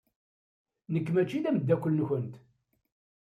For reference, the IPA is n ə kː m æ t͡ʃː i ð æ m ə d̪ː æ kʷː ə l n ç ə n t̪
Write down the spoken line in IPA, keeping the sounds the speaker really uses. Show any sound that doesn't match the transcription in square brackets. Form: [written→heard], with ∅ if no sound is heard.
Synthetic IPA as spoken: n ə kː m æ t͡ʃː i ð æ m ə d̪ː æ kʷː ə l n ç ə n t̪